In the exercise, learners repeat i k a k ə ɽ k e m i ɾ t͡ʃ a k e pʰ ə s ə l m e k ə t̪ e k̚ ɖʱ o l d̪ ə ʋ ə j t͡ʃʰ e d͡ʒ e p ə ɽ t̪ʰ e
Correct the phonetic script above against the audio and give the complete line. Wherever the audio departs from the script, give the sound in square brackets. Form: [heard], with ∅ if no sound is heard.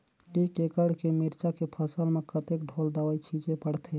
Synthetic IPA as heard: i k [e] k ə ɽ k e m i ɾ t͡ʃ a k e pʰ ə s ə l m e k ə t̪ e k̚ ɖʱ o l d̪ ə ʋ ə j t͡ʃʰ [i] d͡ʒ e p ə ɽ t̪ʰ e